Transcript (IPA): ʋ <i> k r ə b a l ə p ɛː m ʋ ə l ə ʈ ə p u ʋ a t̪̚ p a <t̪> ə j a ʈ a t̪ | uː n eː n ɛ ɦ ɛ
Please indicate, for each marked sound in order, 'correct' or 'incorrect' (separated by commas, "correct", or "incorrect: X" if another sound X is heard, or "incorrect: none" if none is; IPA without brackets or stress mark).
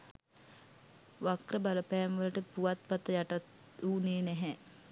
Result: incorrect: a, correct